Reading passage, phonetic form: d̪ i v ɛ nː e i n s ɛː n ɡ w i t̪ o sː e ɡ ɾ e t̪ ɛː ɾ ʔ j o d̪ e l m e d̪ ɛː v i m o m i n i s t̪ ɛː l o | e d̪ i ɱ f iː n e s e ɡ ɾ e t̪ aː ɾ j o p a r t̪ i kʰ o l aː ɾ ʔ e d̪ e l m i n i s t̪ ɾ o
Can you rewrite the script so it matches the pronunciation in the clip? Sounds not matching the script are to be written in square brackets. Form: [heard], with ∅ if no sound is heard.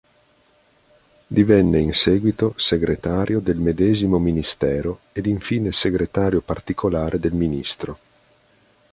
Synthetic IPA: d̪ i v ɛ nː e i n s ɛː [∅] ɡ w i t̪ o [s] e ɡ ɾ e t̪ [aː] ɾ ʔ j o d̪ e l m e d̪ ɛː [z] i m o m i n i s t̪ ɛː [ɾ] o | e d̪ i ɱ f iː n e s e ɡ ɾ e t̪ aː ɾ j o p a r t̪ i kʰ o l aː ɾ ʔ e d̪ e l m i n i s t̪ ɾ o